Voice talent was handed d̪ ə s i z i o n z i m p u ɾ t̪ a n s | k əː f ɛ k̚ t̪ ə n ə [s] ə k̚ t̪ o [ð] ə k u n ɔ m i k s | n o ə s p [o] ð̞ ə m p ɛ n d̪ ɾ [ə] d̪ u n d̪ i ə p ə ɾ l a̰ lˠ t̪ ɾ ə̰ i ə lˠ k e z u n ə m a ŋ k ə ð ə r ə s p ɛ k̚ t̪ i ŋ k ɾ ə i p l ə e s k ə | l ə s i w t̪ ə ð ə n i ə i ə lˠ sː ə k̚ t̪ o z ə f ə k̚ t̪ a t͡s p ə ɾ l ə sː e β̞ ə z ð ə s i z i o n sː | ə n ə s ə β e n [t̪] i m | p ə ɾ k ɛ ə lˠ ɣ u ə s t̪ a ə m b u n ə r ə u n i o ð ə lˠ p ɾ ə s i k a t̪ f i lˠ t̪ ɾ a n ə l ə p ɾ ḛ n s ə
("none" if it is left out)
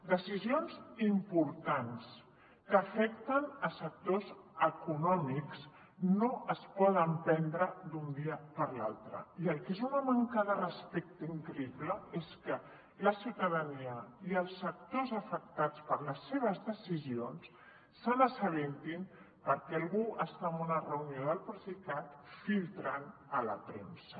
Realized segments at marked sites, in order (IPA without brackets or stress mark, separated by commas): s, z, ɔ, ə, t̪